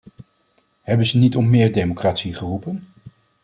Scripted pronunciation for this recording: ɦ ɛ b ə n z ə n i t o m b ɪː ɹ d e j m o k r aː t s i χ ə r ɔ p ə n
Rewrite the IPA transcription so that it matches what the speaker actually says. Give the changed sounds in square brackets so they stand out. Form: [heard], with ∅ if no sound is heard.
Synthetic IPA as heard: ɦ ɛ b ə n z ə n i t [ɔ] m [m] ɪː ɹ d e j m o k r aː t s i χ ə r [u] p ə n